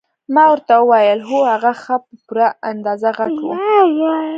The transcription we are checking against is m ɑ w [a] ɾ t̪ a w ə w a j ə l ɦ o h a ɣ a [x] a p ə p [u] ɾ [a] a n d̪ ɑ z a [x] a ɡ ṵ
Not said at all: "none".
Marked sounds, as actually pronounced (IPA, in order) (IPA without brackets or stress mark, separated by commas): ə, x, u, a, ɣ